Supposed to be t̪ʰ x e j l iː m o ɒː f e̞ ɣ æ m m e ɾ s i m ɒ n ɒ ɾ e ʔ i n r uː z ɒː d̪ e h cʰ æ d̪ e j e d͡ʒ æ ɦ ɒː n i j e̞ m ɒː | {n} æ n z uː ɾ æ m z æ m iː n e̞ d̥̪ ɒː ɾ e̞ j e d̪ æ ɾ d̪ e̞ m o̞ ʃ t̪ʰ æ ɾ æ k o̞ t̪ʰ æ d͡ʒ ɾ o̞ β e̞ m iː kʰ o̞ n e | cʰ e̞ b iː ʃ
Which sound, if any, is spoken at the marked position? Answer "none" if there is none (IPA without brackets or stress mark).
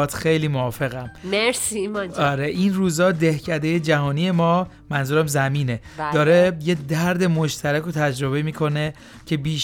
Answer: m